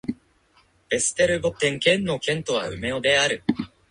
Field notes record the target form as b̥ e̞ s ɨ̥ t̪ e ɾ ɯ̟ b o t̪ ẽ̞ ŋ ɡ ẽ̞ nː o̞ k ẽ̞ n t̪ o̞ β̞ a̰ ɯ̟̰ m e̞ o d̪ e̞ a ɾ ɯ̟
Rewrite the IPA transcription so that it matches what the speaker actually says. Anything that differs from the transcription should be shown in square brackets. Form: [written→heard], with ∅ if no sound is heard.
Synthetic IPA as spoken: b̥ e̞ s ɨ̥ t̪ e ɾ ɯ̟ b o t̪ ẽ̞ ŋ [ɡ→k] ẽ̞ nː o̞ k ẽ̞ n t̪ o̞ β̞ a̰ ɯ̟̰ m e̞ o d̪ e̞ a ɾ ɯ̟